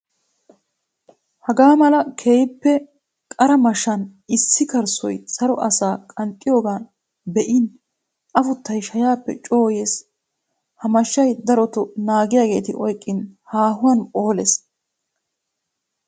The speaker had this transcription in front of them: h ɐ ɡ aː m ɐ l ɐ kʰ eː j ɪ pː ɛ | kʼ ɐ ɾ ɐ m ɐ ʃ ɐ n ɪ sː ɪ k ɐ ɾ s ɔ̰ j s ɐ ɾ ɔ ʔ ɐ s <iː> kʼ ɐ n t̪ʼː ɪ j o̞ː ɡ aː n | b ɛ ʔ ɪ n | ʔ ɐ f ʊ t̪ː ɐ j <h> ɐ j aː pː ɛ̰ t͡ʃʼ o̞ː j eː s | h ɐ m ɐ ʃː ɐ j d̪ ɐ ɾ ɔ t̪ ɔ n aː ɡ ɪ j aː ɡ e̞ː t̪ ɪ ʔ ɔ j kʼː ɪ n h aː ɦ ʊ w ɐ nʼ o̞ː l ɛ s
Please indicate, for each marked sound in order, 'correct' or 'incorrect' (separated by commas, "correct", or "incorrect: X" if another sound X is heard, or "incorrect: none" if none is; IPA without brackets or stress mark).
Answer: incorrect: aː, incorrect: ʃ